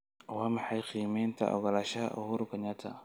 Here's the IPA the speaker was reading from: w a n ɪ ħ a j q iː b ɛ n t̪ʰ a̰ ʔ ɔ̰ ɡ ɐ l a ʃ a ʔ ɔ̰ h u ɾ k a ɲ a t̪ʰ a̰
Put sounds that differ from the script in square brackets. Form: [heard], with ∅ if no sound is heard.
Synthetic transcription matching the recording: w a [m] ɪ ħ a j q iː [m] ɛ n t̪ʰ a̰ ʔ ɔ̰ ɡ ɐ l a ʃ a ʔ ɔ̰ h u ɾ k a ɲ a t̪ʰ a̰